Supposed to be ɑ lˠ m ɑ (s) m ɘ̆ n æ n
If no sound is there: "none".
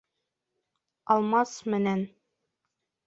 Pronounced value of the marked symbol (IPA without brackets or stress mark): s